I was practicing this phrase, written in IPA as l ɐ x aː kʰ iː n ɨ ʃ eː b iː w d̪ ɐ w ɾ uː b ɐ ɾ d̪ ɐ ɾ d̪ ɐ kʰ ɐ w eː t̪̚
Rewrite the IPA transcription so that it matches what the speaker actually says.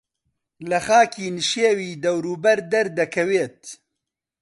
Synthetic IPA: l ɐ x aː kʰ iː n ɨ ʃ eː w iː d̪ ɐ w ɾ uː b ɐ ɾ d̪ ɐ ɾ d̪ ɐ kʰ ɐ w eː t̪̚